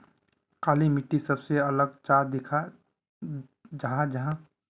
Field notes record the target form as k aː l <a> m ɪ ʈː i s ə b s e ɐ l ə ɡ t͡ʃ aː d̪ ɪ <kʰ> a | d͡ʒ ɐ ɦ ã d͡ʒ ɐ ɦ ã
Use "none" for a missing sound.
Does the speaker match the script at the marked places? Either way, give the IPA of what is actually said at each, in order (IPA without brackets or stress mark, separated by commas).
i, kʰ